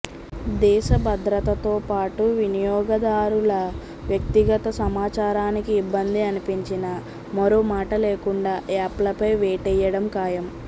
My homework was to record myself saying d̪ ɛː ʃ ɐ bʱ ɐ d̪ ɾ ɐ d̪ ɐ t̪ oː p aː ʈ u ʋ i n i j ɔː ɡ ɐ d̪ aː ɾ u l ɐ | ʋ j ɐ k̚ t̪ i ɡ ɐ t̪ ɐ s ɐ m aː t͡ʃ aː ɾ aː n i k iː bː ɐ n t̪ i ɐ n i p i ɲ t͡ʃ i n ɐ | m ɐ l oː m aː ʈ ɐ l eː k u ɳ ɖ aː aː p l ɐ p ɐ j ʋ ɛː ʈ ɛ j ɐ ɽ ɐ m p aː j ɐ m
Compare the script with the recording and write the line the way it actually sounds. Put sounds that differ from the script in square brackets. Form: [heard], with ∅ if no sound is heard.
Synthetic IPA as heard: d̪ ɛː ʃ ɐ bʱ ɐ d̪ ɾ ɐ [t̪] ɐ t̪ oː p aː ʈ u ʋ i n i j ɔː ɡ ɐ d̪ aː ɾ u l ɐ | ʋ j ɐ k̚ t̪ i ɡ ɐ t̪ ɐ s ɐ m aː t͡ʃ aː ɾ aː n i k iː bː ɐ n [d̪] i ɐ n i p i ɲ t͡ʃ i n ɐ | m ɐ [ɾ] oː m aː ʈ ɐ l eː k u ɳ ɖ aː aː p l ɐ p ɐ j ʋ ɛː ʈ ɛ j ɐ ɽ ɐ m [k] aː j ɐ m